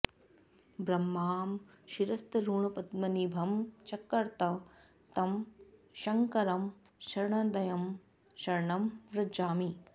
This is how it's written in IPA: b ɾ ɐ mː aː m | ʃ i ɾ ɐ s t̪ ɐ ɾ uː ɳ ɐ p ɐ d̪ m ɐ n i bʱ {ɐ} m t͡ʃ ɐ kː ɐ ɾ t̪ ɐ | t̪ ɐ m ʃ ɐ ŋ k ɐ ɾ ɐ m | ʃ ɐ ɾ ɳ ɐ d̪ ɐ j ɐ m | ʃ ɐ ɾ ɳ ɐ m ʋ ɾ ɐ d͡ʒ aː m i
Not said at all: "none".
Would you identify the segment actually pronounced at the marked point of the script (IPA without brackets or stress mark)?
ɐ